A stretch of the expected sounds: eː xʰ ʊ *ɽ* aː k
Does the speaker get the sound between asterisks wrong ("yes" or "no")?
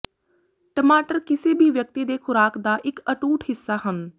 yes